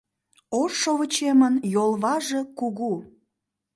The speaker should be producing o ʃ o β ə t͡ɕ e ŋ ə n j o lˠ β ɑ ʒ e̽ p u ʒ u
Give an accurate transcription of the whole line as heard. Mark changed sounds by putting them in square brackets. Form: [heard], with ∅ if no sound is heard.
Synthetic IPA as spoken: o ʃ o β ə t͡ɕ e [m] ə n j o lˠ β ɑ ʒ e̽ [k] u [ɣ] u